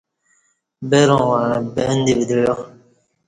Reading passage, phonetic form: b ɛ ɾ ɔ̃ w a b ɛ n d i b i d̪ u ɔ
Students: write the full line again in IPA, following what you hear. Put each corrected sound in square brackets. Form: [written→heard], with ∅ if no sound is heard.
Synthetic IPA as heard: b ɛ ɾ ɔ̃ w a b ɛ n d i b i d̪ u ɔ